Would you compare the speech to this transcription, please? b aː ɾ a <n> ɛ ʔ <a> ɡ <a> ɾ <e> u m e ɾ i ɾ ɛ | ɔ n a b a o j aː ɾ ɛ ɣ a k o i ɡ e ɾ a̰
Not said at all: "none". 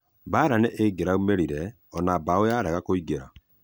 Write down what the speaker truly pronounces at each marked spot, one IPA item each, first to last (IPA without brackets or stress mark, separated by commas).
n, e, e, a